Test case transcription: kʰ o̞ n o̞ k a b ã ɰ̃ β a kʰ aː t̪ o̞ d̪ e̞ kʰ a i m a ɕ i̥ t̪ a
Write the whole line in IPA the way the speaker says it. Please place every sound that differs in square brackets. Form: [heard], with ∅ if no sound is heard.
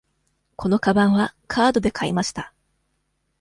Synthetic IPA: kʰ o̞ n o̞ k a b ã ɰ̃ β a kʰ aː [d̪] o̞ d̪ e̞ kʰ a i m a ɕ i̥ t̪ a